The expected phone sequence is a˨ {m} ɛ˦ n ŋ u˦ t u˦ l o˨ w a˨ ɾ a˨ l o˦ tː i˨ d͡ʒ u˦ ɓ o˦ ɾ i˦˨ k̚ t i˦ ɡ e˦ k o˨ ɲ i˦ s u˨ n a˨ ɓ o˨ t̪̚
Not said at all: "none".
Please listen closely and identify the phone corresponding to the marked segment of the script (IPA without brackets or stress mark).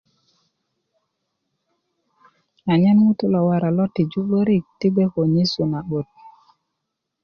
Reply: ɲ